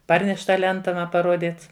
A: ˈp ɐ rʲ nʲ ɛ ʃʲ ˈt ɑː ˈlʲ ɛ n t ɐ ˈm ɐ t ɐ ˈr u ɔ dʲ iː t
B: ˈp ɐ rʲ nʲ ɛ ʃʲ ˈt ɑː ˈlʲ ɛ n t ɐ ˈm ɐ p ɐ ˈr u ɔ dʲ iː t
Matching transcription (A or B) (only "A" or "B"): B